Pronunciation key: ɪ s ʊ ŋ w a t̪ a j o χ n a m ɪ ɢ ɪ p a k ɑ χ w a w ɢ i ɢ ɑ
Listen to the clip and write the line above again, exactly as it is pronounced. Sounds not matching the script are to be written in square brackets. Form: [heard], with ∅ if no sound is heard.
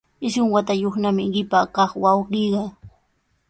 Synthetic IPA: ɪ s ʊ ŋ w a t̪ a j o χ n a m ɪ ɢ ɪ p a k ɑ χ w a w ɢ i ɢ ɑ

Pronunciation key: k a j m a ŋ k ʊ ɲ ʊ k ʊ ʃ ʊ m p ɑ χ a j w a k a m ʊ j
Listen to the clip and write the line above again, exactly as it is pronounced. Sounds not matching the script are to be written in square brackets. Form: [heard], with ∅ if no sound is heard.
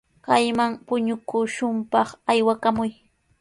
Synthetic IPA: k a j m a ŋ [p] ʊ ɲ ʊ k ʊ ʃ ʊ m p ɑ χ a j w a k a m ʊ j

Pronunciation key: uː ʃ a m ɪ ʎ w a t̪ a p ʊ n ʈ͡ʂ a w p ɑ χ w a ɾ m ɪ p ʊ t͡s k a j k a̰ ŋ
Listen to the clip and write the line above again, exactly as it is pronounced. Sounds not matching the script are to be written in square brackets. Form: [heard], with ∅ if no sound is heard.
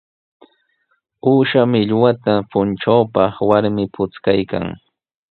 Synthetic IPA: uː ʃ a m ɪ ʎ w a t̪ a p ʊ n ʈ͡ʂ a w p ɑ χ w a ɾ m ɪ p ʊ t͡s k a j k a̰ ŋ

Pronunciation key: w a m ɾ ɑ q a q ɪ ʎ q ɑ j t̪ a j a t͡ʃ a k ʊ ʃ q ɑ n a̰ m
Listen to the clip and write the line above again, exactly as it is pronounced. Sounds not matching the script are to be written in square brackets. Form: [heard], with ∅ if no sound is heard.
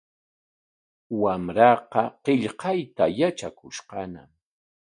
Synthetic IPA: w a m ɾ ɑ q [ɑ] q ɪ ʎ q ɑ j t̪ a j a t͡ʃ a k ʊ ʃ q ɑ n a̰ m

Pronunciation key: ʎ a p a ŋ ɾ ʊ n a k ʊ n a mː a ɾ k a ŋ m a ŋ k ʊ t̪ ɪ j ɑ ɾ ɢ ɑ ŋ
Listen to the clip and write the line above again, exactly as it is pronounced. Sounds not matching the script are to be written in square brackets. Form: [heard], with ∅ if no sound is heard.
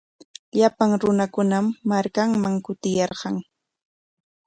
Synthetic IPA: ʎ a p a ŋ ɾ ʊ n a k ʊ n a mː a ɾ k a ŋ m a ŋ k ʊ t̪ ɪ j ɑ ɾ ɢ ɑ ŋ

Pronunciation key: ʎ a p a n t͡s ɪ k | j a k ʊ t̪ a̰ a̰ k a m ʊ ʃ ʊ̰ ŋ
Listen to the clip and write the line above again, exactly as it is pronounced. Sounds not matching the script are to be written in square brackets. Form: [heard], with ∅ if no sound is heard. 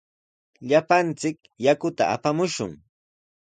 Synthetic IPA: ʎ a p a n t͡s ɪ k | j a k ʊ t̪ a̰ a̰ [p] a m ʊ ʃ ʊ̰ ŋ

